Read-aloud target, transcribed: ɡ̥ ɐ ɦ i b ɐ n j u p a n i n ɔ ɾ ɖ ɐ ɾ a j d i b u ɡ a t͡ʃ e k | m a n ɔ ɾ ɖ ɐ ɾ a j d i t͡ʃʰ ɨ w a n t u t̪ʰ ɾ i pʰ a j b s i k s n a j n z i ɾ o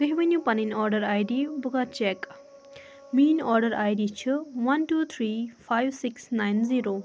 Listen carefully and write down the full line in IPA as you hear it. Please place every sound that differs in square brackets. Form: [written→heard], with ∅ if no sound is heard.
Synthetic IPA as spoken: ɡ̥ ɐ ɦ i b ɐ n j u p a n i n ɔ ɾ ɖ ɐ ɾ a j d i b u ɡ a t͡ʃ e k | m [a→i] n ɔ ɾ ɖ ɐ ɾ a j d i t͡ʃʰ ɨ w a n t u t̪ʰ ɾ i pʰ a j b s i k s n a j n z i ɾ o